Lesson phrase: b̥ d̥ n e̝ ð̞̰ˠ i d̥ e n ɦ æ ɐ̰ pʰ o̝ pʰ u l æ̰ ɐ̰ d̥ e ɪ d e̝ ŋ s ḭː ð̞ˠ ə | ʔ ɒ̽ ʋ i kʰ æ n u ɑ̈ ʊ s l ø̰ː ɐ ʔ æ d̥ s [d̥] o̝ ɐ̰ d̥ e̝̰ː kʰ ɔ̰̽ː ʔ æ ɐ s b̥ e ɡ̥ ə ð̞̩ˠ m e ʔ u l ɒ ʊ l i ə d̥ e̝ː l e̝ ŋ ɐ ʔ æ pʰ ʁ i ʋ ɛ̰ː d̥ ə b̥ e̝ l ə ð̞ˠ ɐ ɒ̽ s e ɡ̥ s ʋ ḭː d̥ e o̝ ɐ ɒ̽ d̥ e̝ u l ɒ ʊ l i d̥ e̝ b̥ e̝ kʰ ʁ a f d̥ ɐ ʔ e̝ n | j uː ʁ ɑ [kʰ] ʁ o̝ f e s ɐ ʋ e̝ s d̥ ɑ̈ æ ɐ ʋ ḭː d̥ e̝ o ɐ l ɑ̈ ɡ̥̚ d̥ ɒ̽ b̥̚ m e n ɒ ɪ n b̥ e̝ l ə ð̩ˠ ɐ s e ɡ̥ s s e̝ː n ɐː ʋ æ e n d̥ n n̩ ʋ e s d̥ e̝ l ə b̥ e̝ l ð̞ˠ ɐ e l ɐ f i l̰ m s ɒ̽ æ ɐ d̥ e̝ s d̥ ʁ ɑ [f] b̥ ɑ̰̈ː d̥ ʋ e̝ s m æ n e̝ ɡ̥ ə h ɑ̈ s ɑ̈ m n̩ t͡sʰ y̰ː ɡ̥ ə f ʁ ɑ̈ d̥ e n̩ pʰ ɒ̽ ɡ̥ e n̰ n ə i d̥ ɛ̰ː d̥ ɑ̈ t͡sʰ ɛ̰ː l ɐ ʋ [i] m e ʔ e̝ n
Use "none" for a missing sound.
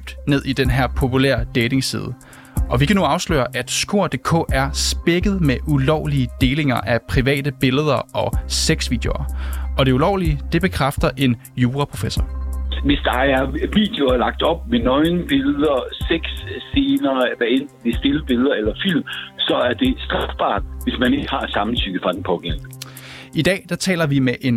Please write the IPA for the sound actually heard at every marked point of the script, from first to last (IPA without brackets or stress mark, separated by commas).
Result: ɡ̥, pʰ, f, i